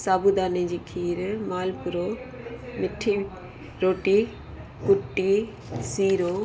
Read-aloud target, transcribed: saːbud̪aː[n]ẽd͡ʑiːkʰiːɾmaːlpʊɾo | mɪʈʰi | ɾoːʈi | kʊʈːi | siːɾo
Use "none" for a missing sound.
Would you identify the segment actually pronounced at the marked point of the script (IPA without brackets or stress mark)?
n